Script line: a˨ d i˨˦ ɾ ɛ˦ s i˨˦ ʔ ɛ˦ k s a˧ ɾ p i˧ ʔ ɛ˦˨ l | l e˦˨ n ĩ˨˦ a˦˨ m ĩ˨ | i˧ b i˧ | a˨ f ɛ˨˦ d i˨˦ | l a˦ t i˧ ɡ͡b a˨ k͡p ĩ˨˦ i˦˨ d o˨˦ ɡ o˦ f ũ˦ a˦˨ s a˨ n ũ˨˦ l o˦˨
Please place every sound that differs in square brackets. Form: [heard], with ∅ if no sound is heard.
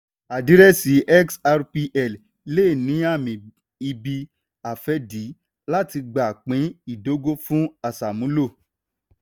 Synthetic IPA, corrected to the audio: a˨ d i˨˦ ɾ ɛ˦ s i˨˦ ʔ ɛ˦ k s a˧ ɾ p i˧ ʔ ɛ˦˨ l | l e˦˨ n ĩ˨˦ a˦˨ m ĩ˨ | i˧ b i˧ | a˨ f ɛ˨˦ d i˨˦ | l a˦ t i˧ ɡ͡b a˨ k͡p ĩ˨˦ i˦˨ d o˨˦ ɡ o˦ f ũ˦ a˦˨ s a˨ [m] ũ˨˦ l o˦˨